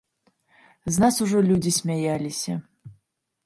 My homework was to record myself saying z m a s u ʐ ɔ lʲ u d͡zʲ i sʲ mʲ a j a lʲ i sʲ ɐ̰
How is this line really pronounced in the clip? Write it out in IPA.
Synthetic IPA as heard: z n a s u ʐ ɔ lʲ u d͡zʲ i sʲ mʲ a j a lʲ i sʲ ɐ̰